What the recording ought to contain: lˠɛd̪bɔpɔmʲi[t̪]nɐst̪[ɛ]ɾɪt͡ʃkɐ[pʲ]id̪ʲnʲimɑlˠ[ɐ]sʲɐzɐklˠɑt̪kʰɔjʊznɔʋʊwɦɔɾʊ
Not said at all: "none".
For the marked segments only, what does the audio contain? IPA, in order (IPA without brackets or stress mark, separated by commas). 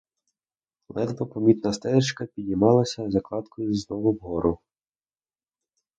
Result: t̪, ɛ, pʲ, ɐ